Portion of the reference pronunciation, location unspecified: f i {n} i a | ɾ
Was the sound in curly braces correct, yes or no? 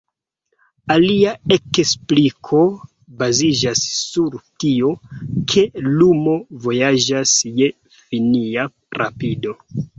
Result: yes